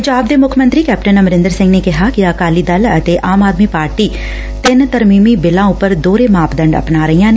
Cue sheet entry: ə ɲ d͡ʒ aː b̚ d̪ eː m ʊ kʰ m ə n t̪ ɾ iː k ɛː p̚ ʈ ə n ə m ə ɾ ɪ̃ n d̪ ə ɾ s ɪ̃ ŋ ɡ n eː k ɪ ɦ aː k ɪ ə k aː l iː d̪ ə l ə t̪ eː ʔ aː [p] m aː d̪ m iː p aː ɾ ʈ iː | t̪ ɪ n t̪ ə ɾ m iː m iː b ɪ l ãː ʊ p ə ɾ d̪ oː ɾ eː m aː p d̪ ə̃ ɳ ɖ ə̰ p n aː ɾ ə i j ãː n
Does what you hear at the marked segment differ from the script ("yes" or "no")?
yes